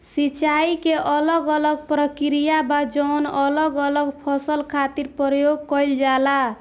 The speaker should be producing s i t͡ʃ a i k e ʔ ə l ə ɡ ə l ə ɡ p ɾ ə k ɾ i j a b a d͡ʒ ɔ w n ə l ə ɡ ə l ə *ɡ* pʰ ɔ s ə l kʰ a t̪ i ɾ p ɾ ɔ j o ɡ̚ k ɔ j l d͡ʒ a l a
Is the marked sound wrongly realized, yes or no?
no